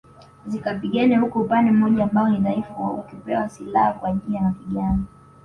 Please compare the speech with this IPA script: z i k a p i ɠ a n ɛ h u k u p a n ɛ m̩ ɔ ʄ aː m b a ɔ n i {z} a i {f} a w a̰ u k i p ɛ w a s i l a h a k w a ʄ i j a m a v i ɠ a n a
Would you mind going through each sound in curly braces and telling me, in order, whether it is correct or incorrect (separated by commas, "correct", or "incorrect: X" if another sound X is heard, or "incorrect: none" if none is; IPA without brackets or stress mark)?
incorrect: ð, correct